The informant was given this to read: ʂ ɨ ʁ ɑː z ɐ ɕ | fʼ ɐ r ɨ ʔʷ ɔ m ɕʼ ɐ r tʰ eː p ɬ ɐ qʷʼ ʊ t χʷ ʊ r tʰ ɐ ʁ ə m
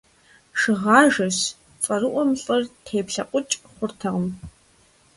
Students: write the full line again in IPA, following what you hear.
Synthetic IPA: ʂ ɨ ʁ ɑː ʒ ɐ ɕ | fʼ ɐ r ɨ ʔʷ ɔ m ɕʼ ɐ r tʰ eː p ɬ ɐ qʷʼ ʊ t͡ʃʼ χʷ ʊ r tʰ ɐ ʁ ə m

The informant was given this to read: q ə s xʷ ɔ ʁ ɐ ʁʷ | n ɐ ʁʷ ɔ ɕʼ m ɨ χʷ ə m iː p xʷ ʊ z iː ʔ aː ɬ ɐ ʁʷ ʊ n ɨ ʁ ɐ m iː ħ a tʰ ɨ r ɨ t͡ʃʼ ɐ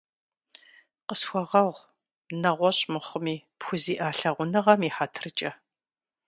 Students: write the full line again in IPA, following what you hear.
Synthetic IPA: q ə s xʷ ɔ ʁ ɐ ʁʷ | n ɐ ʁʷ ɔ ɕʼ m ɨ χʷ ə m iː p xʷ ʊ z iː ʔ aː ɬ ɐ ʁʷ ʊ n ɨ ʁ ɐ m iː ħ a tʰ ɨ r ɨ t͡ʃʼ ɐ

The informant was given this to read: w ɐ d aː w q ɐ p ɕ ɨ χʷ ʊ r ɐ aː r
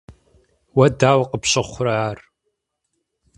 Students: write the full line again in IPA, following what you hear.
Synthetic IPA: w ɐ d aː w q ə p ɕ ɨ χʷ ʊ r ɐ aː r

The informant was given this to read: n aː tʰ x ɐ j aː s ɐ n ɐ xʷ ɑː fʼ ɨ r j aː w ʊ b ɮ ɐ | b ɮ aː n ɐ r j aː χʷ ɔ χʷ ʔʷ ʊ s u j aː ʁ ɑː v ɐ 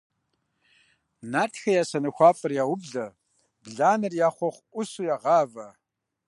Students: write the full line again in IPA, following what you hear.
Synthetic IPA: n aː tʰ x ɐ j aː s ɐ n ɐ xʷ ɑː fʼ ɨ r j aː w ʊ b ɮ ɐ | b ɮ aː n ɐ r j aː χʷ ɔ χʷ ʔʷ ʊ s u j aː ʁ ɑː v ɐ

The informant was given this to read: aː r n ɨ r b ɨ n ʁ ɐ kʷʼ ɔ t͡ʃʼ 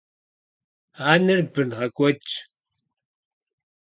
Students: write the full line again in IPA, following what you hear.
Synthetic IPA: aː n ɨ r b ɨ n ʁ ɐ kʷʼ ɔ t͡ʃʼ

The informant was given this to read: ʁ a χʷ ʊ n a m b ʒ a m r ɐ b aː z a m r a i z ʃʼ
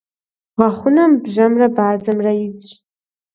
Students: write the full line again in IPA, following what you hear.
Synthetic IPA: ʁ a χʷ ʊ n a m b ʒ a m r a b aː z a m r a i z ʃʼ

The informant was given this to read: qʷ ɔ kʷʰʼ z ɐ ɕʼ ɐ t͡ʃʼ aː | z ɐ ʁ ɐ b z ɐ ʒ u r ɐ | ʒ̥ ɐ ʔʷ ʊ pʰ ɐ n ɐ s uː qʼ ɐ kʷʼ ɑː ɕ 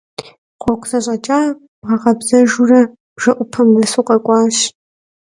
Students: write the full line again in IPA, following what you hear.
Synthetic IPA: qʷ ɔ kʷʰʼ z ɐ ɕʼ ɐ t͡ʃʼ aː | ʁ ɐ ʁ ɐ b z ɐ ʒ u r ɐ | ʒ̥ ɐ ʔʷ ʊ pʰ ɐ m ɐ s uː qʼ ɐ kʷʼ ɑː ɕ

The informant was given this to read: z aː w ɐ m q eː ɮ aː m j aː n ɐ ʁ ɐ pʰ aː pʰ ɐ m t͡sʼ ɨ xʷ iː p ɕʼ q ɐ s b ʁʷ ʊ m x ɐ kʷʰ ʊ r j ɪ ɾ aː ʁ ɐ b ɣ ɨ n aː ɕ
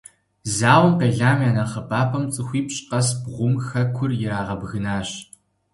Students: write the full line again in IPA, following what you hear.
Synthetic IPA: z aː w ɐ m q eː ɮ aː m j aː n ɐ χ ɐ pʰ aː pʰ ɐ m t͡sʼ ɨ xʷ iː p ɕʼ q ɐ s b ʁʷ ʊ m x ɐ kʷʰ ʊ r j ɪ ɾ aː ʁ ɐ b ɣ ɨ n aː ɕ

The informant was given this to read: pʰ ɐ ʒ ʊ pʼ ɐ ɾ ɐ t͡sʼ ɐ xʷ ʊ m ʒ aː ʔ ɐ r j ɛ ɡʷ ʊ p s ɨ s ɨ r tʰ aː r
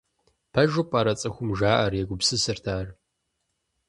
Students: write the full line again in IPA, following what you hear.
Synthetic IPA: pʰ ɐ ʒ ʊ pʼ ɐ ɾ ɐ t͡sʼ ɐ xʷ ʊ m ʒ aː ʔ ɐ r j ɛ ɡʷ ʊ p s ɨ s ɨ r tʰ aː r

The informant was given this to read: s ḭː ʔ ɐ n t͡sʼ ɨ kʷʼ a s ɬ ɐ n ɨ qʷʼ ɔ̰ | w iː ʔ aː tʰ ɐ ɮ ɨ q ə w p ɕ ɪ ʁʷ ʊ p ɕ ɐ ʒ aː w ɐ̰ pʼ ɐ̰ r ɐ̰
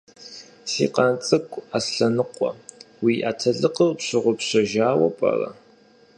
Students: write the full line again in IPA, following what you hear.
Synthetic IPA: s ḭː q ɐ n t͡sʼ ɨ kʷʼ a s ɬ ɐ n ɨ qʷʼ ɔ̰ | w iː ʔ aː tʰ ɐ ɮ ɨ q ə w p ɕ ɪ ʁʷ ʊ p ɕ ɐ ʒ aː w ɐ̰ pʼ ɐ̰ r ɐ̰

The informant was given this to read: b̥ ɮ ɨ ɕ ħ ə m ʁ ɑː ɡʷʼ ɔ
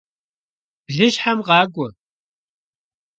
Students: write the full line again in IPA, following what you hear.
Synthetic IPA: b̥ ɮ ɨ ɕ ħ a m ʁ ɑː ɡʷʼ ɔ

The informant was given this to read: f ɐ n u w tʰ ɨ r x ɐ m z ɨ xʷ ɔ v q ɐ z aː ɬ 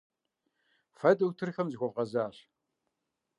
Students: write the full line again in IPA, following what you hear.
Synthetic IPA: f ɐ d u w tʰ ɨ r x ɐ m z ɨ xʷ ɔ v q ɐ z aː ɬ

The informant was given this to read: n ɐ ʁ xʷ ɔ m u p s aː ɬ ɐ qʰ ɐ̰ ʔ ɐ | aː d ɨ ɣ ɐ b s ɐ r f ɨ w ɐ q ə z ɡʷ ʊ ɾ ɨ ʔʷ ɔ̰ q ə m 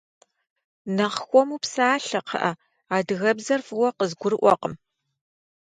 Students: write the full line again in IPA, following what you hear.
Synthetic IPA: n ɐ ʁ xʷ ɔ m u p s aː ɬ ɐ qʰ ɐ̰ ʔ ɐ | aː d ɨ ɣ ɐ b z ɐ r f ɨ w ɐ q ə z ɡʷ ʊ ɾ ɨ ʔʷ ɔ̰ q ə m

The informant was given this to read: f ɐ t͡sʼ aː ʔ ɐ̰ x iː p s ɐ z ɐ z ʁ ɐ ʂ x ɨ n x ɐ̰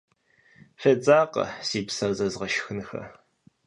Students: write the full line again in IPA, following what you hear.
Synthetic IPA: f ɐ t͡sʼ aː q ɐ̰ s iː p s ɐ z ɐ z ʁ ɐ ʃ x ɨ n x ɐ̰

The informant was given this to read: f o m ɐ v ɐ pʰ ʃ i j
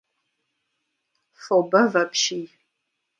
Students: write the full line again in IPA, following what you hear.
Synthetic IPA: f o b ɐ v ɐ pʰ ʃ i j

